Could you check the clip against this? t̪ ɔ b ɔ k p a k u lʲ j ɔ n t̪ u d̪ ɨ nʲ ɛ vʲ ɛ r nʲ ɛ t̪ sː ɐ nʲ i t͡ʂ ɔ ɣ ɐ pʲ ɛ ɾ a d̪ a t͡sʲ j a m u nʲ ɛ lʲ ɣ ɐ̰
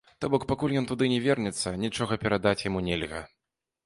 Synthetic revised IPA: t̪ ɔ b ɔ k p a k u lʲ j ɔ n t̪ u d̪ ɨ nʲ ɛ vʲ ɛ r nʲ ɛ t̪ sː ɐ nʲ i t͡ʂ ɔ ɣ ɐ pʲ ɛ ɾ a d̪ a t͡sʲ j a m u nʲ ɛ lʲ ɣ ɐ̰